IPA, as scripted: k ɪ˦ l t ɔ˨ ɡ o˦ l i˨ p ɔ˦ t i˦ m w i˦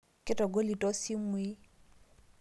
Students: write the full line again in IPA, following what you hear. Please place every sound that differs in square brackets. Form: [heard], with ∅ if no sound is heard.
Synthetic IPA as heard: k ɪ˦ [∅] t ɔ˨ ɡ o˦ l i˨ [t] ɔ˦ [s] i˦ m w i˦